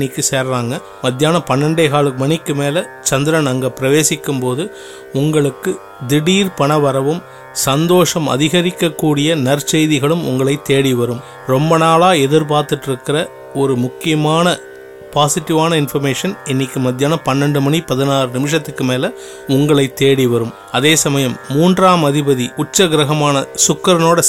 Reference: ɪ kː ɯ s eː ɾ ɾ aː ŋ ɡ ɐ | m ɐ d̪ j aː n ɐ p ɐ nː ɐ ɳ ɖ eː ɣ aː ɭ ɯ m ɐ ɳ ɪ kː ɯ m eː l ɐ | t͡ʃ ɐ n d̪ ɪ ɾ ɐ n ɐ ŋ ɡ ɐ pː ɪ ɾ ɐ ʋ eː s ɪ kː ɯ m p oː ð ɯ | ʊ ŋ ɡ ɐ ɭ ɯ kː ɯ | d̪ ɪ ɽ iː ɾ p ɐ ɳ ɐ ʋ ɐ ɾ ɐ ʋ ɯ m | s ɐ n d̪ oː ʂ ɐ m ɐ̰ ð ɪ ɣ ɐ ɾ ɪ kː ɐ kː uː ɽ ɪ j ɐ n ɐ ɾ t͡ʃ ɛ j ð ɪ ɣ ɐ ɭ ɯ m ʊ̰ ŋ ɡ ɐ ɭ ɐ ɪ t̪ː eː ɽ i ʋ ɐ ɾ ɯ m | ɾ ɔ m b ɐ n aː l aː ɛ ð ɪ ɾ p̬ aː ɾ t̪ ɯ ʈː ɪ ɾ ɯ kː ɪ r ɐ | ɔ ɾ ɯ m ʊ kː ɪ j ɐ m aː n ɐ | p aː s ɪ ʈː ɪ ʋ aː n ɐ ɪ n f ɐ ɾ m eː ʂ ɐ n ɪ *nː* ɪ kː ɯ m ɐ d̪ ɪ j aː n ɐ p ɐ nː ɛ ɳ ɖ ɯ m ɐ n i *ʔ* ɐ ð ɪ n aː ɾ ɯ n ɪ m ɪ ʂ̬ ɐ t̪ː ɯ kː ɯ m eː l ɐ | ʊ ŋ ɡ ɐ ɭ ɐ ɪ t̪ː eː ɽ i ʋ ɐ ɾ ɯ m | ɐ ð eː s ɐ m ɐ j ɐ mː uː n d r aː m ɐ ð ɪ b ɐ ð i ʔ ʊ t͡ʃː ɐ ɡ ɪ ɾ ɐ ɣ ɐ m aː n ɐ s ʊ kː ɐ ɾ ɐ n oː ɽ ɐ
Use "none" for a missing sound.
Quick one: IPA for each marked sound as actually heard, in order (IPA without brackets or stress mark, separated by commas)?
nː, p